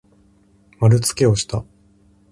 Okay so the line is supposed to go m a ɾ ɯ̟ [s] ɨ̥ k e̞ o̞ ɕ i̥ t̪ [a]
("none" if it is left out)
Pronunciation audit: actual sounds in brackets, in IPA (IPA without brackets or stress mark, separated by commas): t͡s, a